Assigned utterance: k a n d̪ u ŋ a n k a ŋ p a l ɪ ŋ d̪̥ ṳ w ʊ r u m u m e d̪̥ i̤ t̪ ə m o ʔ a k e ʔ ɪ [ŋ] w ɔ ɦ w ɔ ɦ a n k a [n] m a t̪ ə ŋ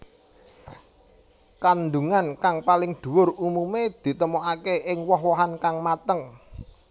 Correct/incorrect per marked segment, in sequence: correct, incorrect: ŋ

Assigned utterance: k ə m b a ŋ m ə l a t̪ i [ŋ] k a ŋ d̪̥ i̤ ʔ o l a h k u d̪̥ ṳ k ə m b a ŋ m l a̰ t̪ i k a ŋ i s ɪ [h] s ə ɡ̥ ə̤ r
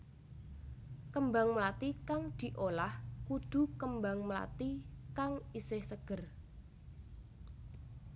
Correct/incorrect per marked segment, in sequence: incorrect: none, correct

